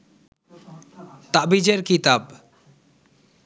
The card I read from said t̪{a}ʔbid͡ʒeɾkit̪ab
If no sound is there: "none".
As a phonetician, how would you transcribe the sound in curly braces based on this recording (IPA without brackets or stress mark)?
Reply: a